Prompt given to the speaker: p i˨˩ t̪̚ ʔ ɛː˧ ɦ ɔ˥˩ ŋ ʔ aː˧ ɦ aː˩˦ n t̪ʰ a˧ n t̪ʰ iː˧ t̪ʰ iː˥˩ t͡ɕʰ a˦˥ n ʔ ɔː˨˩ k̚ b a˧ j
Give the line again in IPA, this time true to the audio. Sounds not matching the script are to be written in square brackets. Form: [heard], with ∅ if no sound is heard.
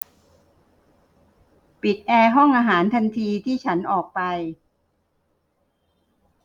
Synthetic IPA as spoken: p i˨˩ t̪̚ ʔ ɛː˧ ɦ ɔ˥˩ ŋ ʔ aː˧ ɦ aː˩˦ n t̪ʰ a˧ n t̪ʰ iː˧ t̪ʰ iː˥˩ t͡ɕʰ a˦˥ n ʔ ɔː˨˩ k̚ [p] a˧ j